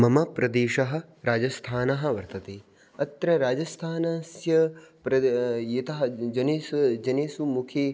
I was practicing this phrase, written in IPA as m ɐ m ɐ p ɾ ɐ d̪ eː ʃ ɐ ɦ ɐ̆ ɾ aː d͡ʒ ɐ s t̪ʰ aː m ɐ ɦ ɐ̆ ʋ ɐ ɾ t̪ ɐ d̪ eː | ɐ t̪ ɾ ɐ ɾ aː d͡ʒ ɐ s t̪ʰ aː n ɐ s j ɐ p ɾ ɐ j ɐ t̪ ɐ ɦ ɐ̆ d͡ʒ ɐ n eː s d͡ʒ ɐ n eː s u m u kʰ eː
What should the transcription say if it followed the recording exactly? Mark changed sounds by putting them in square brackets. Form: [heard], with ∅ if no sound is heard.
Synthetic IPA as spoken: m ɐ m ɐ p ɾ ɐ d̪ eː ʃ ɐ ɦ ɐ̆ ɾ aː d͡ʒ ɐ s t̪ʰ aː [n] ɐ ɦ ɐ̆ ʋ ɐ ɾ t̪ ɐ [t̪] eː | ɐ t̪ ɾ ɐ ɾ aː d͡ʒ ɐ s t̪ʰ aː n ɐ s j ɐ p ɾ ɐ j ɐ t̪ ɐ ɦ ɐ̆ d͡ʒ ɐ n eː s d͡ʒ ɐ n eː s u m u kʰ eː